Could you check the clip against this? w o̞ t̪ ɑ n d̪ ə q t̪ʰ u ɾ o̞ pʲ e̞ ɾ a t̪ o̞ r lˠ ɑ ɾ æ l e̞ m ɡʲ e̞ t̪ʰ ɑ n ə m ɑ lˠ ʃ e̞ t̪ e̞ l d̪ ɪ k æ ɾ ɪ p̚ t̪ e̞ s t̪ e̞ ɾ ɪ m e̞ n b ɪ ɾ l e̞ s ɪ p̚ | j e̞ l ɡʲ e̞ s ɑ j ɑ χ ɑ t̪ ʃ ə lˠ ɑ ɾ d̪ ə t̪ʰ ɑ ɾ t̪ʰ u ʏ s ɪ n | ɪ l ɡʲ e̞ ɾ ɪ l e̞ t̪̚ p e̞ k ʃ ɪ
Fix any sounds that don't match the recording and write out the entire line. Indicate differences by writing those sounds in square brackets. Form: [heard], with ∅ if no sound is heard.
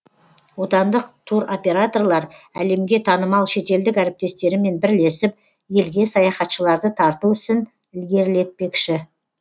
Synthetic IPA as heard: w o̞ t̪ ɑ n d̪ ə q t̪ʰ u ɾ o̞ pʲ e̞ ɾ a t̪ o̞ r lˠ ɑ ɾ æ l e̞ m ɡʲ e̞ t̪ʰ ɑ n ə m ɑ lˠ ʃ e̞ t̪ e̞ l d̪ ɪ k æ ɾ ɪ p̚ t̪ e̞ s t̪ e̞ ɾ ɪ m e̞ n b ɪ ɾ l e̞ s ɪ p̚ | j e̞ l ɡʲ e̞ s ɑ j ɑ χ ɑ t̪ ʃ ə lˠ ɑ ɾ d̪ ə t̪ʰ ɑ ɾ [t̪] u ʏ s ɪ n | ɪ l ɡʲ e̞ ɾ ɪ l e̞ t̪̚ p e̞ k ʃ ɪ